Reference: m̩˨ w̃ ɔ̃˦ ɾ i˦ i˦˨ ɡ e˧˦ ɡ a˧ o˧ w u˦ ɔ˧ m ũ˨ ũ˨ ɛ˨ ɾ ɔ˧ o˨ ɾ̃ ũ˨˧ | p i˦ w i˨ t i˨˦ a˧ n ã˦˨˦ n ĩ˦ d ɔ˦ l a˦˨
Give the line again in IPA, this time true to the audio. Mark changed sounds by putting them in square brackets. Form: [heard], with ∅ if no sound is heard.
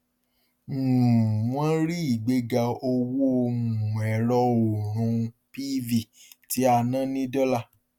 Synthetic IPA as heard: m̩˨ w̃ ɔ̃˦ ɾ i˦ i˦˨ [ɡ͡b] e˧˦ ɡ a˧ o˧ w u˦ [o˧] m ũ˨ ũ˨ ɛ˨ ɾ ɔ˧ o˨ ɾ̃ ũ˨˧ | p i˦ [v] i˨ t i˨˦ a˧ n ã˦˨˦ n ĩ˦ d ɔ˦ l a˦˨